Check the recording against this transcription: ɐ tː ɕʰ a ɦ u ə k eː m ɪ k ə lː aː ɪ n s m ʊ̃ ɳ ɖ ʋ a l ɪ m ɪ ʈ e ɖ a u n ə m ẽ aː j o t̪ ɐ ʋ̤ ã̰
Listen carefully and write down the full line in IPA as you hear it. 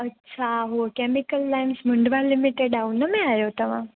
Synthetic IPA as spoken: ɐ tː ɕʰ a ɦ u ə k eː m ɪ k ə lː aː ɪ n s m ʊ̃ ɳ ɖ ʋ a l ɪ m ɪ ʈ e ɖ a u n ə m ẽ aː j o t̪ ɐ ʋ̤ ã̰